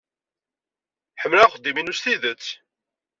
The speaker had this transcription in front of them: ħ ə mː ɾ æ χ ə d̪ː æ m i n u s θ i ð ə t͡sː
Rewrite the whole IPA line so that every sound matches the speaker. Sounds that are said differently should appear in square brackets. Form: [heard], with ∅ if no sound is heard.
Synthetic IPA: ħ ə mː [l] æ χ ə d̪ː [i] m i n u s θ i ð ə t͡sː